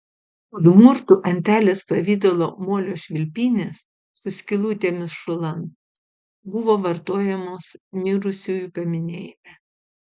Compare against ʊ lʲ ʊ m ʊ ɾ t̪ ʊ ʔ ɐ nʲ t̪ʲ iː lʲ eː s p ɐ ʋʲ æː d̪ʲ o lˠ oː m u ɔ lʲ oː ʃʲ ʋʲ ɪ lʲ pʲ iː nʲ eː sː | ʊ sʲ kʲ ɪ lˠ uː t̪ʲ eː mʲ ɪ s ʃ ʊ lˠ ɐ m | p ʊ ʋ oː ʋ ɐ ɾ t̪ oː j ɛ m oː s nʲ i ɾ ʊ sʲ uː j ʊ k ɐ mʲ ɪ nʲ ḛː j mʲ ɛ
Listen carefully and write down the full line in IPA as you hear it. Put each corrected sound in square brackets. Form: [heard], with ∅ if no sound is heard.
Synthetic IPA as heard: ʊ lʲ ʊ m ʊ ɾ t̪ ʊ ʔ ɐ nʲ t̪ʲ [æː] lʲ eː s p ɐ ʋʲ [iː] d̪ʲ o lˠ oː m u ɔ lʲ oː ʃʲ ʋʲ ɪ lʲ pʲ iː nʲ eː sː | ʊ sʲ kʲ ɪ lˠ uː t̪ʲ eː mʲ ɪ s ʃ ʊ lˠ ɐ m | [b] ʊ ʋ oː ʋ ɐ ɾ t̪ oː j ɛ m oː s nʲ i ɾ ʊ sʲ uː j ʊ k ɐ mʲ ɪ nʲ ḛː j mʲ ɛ